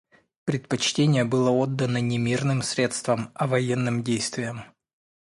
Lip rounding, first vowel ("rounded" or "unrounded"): unrounded